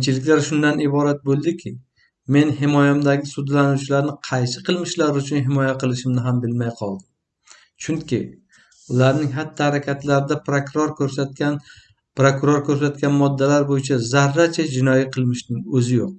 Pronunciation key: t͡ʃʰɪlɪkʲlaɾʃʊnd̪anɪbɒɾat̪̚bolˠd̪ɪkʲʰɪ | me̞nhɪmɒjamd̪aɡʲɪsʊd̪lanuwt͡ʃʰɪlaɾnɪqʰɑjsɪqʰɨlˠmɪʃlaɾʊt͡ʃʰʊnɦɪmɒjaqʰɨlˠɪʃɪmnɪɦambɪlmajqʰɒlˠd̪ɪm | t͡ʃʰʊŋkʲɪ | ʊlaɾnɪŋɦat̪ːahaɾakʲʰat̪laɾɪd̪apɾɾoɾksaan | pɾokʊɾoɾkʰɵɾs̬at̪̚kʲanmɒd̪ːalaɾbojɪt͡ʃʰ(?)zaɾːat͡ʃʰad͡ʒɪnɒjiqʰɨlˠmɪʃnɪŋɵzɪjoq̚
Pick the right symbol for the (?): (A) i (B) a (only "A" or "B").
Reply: B